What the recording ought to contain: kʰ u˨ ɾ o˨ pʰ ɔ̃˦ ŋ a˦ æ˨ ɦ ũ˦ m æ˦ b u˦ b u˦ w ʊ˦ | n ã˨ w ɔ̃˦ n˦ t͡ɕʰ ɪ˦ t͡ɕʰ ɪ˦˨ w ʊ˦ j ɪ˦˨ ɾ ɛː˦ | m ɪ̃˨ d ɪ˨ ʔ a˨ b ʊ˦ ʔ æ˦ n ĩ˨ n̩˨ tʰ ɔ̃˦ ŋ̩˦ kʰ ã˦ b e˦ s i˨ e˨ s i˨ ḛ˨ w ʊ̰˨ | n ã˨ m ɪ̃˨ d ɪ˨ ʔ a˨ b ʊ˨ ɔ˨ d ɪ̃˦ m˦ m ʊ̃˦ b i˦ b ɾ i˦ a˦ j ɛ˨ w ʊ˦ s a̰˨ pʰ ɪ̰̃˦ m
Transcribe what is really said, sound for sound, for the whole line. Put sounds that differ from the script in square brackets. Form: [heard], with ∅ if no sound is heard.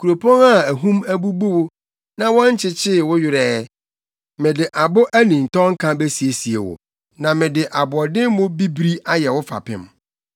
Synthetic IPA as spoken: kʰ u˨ ɾ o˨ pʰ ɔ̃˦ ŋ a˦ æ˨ ɦ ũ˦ m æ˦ b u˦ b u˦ w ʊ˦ | n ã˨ w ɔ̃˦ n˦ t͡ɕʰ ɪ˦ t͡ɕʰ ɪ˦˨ w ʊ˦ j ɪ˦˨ ɾ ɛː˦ | m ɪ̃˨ d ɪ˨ ʔ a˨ b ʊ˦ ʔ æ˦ n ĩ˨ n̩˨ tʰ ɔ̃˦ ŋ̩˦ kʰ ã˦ b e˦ s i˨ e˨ s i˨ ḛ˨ w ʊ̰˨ | n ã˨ m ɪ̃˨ d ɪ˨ ʔ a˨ b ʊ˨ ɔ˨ d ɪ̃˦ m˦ m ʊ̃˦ b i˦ b ɾ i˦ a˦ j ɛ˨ w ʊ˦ [f] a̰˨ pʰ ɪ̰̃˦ m